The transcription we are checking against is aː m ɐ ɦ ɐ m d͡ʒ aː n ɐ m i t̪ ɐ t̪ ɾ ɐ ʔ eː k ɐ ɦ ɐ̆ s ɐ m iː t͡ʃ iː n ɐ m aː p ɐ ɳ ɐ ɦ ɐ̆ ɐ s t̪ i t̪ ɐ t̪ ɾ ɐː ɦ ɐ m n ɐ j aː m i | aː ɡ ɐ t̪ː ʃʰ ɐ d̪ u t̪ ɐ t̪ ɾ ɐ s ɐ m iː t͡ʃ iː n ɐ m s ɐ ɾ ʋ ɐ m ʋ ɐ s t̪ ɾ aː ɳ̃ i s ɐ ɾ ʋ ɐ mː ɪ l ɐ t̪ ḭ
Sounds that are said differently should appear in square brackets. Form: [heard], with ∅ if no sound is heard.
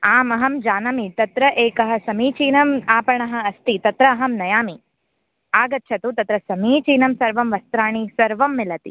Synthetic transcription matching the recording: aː m ɐ ɦ ɐ m d͡ʒ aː n ɐ m i t̪ ɐ t̪ ɾ ɐ ʔ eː k ɐ ɦ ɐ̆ s ɐ m iː t͡ʃ iː n ɐ m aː p ɐ ɳ ɐ ɦ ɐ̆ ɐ s t̪ i t̪ ɐ t̪ ɾ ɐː ɦ ɐ m n ɐ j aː m i | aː ɡ ɐ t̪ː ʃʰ ɐ [t̪] u t̪ ɐ t̪ ɾ ɐ s ɐ m iː t͡ʃ iː n ɐ m s ɐ ɾ ʋ ɐ m ʋ ɐ s t̪ ɾ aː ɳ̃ i s ɐ ɾ ʋ ɐ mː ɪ l ɐ t̪ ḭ

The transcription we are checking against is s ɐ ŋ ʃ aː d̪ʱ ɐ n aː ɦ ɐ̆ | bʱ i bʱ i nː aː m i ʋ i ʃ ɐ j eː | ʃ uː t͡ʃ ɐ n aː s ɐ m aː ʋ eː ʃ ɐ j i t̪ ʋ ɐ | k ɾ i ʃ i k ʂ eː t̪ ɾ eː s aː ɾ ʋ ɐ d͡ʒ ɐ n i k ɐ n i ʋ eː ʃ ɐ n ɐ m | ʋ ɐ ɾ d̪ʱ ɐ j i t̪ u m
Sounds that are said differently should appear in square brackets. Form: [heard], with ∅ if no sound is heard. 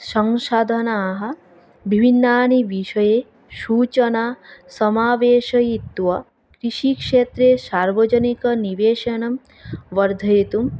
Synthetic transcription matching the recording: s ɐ ŋ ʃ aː d̪ʱ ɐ n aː ɦ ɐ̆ | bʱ i bʱ i nː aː [n] i ʋ i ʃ ɐ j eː | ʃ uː t͡ʃ ɐ n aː s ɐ m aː ʋ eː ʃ ɐ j i t̪ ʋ ɐ | k ɾ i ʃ i k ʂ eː t̪ ɾ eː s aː ɾ ʋ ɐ d͡ʒ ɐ n i k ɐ n i ʋ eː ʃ ɐ n ɐ m | ʋ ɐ ɾ d̪ʱ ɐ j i t̪ u m

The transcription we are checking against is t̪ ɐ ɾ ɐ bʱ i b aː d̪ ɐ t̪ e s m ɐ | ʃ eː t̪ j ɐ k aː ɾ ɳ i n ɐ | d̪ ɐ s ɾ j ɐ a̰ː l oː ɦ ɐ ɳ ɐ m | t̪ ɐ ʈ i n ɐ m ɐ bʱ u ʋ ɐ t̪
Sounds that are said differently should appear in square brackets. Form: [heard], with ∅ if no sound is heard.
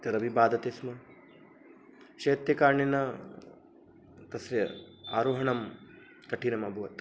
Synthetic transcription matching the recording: t̪ ɐ ɾ ɐ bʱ i b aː d̪ ɐ t̪ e s m ɐ | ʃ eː t̪ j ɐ k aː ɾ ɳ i n ɐ | [t̪] ɐ s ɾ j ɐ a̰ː [ɾ] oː ɦ ɐ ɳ ɐ m | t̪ ɐ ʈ i n ɐ m ɐ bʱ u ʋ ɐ t̪

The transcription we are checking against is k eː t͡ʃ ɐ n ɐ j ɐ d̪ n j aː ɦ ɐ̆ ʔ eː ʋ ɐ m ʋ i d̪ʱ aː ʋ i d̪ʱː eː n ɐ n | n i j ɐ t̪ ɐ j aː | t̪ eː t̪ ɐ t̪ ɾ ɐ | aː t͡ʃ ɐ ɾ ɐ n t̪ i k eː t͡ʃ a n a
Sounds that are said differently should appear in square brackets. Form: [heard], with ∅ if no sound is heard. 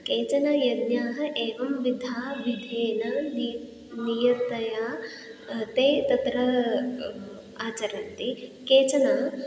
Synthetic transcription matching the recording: k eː t͡ʃ ɐ n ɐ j ɐ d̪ n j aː ɦ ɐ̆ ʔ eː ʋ ɐ m ʋ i d̪ʱ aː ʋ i [d̪ʱ] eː n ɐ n | n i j ɐ t̪ ɐ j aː | t̪ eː t̪ ɐ t̪ ɾ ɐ | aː t͡ʃ ɐ ɾ ɐ n t̪ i k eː t͡ʃ [ɐ] n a

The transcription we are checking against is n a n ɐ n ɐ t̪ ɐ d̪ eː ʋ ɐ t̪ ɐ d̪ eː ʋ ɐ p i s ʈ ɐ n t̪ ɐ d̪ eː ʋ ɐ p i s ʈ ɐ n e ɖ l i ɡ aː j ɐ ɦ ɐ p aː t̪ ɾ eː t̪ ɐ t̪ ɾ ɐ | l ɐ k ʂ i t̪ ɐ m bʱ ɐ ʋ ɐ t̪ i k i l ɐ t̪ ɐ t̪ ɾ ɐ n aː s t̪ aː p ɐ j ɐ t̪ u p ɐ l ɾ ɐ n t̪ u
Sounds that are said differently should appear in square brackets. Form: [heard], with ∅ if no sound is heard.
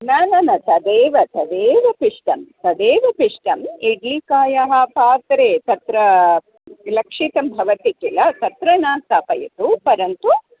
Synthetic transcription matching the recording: n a n ɐ n ɐ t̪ ɐ d̪ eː ʋ ɐ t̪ ɐ d̪ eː ʋ ɐ p i [ʂ] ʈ ɐ [m] t̪ ɐ d̪ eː ʋ ɐ p i [ʂ] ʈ ɐ [m] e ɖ l i [k] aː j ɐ ɦ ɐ p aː t̪ ɾ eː t̪ ɐ t̪ ɾ ɐ | l ɐ k ʂ i t̪ ɐ m bʱ ɐ ʋ ɐ t̪ i k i l ɐ t̪ ɐ t̪ ɾ ɐ n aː s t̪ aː p ɐ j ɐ t̪ u p ɐ [∅] ɾ ɐ n t̪ u

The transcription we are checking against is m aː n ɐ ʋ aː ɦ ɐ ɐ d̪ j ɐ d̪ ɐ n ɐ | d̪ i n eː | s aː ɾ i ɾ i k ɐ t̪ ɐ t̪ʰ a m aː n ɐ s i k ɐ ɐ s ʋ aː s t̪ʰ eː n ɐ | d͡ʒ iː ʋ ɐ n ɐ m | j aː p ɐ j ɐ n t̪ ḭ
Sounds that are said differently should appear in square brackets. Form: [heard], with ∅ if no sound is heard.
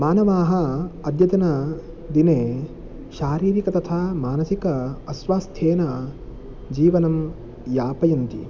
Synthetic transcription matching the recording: m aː n ɐ ʋ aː ɦ ɐ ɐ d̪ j ɐ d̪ ɐ n ɐ | d̪ i n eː | [ʃ] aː ɾ [iː] ɾ i k ɐ t̪ ɐ t̪ʰ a m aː n ɐ s i k ɐ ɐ s ʋ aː s t̪ʰ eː n ɐ | d͡ʒ iː ʋ ɐ n ɐ m | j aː p ɐ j ɐ n t̪ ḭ

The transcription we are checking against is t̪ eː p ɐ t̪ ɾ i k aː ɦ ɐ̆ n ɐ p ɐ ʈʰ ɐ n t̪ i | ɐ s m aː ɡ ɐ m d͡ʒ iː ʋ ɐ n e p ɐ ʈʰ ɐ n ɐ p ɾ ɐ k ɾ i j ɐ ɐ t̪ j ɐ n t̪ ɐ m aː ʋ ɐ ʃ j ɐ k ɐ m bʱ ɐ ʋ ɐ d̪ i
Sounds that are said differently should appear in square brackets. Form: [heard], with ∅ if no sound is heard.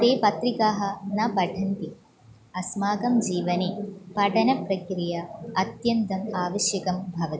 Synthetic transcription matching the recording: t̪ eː p ɐ t̪ ɾ i k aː ɦ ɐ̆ n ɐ p ɐ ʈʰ ɐ n t̪ i | ɐ s m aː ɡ ɐ m d͡ʒ iː ʋ ɐ n e p ɐ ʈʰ ɐ n ɐ p ɾ ɐ k ɾ i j ɐ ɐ t̪ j ɐ n t̪ ɐ m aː ʋ ɐ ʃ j ɐ k ɐ m bʱ ɐ ʋ ɐ [t̪] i

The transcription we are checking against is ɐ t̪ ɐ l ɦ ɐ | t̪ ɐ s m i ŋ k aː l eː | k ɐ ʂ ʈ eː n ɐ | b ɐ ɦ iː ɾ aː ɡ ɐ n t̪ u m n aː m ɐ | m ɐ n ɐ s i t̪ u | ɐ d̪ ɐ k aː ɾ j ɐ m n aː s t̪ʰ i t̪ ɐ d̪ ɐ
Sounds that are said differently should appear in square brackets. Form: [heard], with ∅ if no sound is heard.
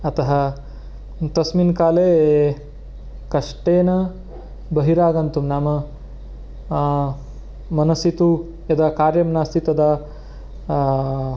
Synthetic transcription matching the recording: ɐ t̪ ɐ [∅] ɦ ɐ | t̪ ɐ s m i [n] k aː l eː | k ɐ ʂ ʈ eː n ɐ | b ɐ ɦ [i] ɾ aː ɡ ɐ n t̪ u m n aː m ɐ | m ɐ n ɐ s i t̪ u | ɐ d̪ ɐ k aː ɾ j ɐ m n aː s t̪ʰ i t̪ ɐ d̪ ɐ

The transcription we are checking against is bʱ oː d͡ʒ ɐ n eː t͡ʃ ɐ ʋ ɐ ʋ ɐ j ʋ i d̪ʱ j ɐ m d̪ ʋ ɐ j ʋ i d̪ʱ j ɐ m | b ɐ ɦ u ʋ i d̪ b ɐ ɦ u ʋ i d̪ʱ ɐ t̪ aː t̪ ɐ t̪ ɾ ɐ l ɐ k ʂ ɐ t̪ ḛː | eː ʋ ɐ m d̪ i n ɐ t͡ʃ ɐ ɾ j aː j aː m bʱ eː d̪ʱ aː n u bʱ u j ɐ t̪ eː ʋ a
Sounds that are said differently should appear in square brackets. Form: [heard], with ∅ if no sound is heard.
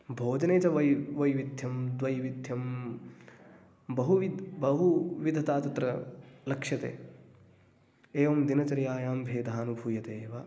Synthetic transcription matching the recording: bʱ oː d͡ʒ ɐ n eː t͡ʃ ɐ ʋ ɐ ʋ ɐ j ʋ i d̪ʱ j ɐ m d̪ ʋ ɐ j ʋ i d̪ʱ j ɐ m | b ɐ ɦ u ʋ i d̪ b ɐ ɦ u ʋ i d̪ʱ ɐ t̪ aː t̪ ɐ t̪ ɾ ɐ l ɐ k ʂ ɐ t̪ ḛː | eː ʋ ɐ m d̪ i n ɐ t͡ʃ ɐ ɾ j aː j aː m bʱ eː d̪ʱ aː n u bʱ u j ɐ t̪ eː ʋ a

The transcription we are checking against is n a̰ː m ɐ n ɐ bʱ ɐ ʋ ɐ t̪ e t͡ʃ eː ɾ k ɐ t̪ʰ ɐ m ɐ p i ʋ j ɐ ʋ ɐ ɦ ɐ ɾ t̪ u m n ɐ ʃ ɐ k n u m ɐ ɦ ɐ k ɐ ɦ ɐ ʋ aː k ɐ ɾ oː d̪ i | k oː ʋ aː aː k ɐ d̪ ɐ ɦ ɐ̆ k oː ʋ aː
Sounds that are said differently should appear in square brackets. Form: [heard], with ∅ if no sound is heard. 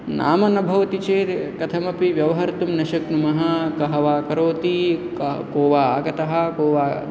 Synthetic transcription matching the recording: n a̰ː m ɐ n ɐ bʱ ɐ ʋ ɐ t̪ [i] t͡ʃ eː ɾ k ɐ t̪ʰ ɐ m ɐ p i ʋ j ɐ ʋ ɐ ɦ ɐ ɾ t̪ u m n ɐ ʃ ɐ k n u m ɐ ɦ ɐ k ɐ ɦ ɐ ʋ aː k ɐ ɾ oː [t̪] i | k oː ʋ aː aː [ɡ] ɐ [t̪] ɐ ɦ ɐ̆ k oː ʋ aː

